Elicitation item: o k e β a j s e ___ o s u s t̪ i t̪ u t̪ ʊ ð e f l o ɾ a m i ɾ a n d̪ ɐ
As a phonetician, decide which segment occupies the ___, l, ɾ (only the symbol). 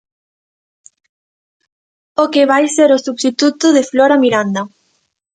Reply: ɾ